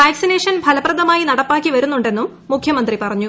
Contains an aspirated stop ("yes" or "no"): yes